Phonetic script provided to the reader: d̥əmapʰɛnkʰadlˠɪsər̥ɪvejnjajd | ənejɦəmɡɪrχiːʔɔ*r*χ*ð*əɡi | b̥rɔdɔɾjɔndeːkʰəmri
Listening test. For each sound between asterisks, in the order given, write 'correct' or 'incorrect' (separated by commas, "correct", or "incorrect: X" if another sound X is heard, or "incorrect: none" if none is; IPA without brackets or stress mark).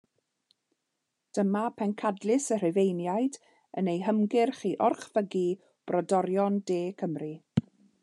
correct, incorrect: v